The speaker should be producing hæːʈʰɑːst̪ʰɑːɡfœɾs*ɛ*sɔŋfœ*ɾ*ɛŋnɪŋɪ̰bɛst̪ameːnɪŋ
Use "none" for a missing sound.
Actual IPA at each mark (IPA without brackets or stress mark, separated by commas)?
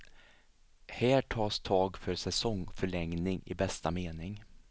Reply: ɛ, ɭ